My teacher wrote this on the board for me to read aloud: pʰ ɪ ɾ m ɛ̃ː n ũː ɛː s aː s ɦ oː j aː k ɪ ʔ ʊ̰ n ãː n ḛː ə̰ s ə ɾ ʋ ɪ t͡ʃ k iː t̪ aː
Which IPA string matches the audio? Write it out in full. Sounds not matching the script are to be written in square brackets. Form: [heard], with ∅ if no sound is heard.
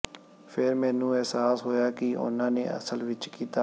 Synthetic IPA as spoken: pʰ ɪ ɾ m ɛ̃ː n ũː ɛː s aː s ɦ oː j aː k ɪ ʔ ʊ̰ n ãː n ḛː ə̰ s ə [l] ʋ ɪ t͡ʃ k iː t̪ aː